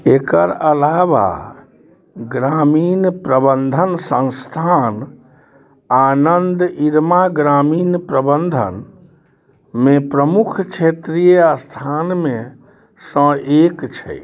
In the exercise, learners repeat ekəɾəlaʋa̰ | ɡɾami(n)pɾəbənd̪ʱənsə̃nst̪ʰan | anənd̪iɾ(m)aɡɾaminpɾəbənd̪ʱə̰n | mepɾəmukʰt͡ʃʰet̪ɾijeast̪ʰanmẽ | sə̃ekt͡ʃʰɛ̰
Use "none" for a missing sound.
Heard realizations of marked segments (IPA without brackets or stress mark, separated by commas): n, m